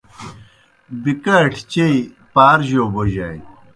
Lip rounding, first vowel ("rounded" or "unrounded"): unrounded